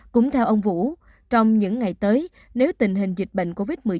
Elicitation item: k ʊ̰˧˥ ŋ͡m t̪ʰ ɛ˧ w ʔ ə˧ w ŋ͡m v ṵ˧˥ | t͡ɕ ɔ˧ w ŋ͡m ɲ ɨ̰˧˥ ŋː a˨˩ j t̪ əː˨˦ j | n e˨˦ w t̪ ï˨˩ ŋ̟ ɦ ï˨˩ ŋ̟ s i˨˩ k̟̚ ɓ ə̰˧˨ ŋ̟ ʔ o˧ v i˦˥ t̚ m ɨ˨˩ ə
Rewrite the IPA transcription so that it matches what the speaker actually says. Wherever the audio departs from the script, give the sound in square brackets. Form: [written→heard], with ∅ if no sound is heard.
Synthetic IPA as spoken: k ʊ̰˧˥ ŋ͡m t̪ʰ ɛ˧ w ʔ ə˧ w ŋ͡m v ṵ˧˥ | t͡ɕ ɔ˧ w ŋ͡m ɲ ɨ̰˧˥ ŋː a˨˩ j t̪ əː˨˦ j | n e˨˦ w t̪ ï˨˩ ŋ̟ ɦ ï˨˩ ŋ̟ [s→z] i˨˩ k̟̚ ɓ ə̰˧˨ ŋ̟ [ʔ→k] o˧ v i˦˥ t̚ m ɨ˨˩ ə